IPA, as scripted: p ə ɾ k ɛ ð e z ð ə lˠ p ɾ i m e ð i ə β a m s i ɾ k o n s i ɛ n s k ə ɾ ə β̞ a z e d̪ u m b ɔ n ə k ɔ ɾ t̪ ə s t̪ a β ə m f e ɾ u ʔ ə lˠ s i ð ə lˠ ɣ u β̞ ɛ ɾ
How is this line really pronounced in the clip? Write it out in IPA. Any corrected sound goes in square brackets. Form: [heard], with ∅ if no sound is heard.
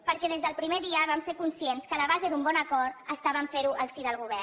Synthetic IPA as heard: p ə ɾ k ɛ ð e z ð ə lˠ p ɾ i m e ð i ə β a m s [e] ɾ k [u] n s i [e] n s k ə [l] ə β̞ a z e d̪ u m b ɔ n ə k ɔ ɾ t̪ ə s t̪ a β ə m f e ɾ u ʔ ə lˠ s i ð ə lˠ ɣ u β̞ ɛ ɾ